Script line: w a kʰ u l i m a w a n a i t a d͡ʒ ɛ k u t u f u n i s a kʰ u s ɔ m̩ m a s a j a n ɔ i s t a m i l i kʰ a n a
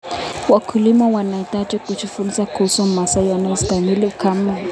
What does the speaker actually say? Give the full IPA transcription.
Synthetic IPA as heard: w a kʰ u l i m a w a n a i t a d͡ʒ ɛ k u t͡ʃ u f u n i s a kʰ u s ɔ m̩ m a s a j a n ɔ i s t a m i l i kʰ a m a